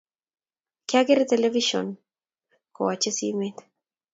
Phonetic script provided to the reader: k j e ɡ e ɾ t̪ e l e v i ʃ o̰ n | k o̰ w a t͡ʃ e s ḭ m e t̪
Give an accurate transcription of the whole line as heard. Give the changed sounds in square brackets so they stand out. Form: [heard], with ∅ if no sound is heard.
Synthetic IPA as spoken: k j [a] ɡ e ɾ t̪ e l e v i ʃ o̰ n | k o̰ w a t͡ʃ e s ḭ m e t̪

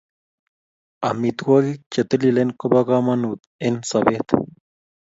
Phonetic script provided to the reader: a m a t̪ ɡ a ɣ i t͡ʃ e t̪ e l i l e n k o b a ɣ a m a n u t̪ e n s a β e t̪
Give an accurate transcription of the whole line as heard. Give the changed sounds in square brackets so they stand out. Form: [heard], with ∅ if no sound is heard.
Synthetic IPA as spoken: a m [i] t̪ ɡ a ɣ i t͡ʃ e t̪ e l i l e n k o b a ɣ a m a n u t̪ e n s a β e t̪

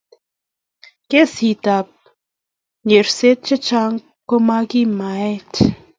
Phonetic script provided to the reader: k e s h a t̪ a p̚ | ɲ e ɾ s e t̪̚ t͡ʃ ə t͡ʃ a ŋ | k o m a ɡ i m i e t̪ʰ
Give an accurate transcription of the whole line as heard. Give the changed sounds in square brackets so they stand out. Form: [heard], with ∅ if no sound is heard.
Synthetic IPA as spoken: k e s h [i] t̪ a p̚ | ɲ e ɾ s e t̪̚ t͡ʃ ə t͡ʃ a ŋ | k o m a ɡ i m [a] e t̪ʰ

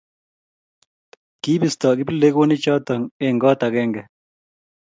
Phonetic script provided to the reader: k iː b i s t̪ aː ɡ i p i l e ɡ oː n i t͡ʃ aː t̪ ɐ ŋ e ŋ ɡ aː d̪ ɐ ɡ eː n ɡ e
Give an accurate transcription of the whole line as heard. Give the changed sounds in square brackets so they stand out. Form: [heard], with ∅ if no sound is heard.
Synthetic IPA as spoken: k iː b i s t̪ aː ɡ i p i l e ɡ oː n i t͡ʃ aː t̪ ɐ ŋ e ŋ ɡ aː [t̪] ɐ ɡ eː [ŋ] ɡ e

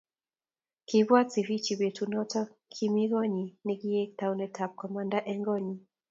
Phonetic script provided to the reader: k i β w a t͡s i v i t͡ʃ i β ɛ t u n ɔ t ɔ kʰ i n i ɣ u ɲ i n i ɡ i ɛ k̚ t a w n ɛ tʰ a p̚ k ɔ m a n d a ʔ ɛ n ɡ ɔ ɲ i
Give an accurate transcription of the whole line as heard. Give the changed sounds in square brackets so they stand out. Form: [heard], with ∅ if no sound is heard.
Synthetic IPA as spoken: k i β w a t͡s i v i t͡ʃ i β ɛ t u n ɔ t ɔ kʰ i [m] i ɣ [ɔ] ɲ i n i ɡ i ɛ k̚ t a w n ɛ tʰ a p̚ k ɔ m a n d a ʔ ɛ [ŋ] ɡ ɔ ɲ i

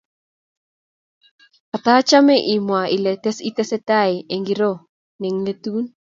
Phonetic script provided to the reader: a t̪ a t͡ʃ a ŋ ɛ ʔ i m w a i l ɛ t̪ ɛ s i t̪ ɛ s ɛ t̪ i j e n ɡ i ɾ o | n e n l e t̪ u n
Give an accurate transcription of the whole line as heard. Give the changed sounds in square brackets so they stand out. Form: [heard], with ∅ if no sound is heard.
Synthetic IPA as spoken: a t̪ a t͡ʃ a [m] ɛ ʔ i m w a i l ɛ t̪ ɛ s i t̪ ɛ s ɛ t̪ [a] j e [ŋ] ɡ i ɾ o | n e [ŋ] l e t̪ u n

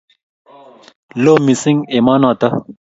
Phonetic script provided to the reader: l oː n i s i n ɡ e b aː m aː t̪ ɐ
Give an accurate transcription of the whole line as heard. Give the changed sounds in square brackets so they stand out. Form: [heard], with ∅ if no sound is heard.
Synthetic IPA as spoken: l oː [m] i s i [ŋ] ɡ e [m] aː [n] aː t̪ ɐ

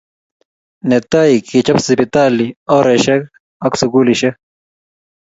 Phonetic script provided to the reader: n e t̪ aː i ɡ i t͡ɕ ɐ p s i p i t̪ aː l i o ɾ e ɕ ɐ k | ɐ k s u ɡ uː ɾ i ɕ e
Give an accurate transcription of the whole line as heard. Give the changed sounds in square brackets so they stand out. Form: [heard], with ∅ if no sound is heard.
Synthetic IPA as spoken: n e t̪ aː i [k] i t͡ɕ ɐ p s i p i t̪ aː l i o ɾ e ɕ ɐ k | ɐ k s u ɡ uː [l] i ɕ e

